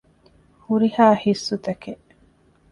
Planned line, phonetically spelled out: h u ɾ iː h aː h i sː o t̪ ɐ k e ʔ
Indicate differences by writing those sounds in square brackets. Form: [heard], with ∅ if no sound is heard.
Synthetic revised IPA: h u ɾ [i] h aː h i sː [u] t̪ ɐ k e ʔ